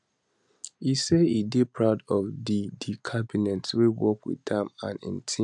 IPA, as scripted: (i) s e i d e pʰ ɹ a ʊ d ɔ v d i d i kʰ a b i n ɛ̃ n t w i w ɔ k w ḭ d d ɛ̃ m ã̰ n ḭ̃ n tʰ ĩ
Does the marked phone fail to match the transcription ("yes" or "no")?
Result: no